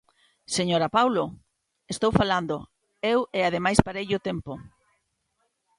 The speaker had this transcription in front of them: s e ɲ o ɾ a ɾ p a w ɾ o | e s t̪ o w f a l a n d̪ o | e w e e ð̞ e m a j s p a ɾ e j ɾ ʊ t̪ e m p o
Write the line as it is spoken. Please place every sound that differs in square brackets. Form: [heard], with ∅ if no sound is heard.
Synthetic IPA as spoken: s e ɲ o ɾ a [∅] p a w [l] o | e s t̪ o w f a l a n d̪ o | e w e [a] ð̞ e m a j s p a ɾ e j [ʎ] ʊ t̪ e m p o